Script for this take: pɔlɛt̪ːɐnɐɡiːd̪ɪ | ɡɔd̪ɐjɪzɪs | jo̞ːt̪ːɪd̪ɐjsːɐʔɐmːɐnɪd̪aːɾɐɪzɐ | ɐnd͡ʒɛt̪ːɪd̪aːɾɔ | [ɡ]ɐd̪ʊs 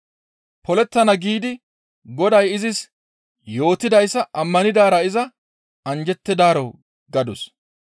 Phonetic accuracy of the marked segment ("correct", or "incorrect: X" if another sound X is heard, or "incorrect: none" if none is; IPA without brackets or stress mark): correct